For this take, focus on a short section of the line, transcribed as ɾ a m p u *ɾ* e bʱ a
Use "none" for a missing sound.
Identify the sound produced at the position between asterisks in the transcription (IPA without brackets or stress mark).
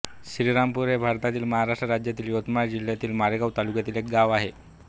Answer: ɾ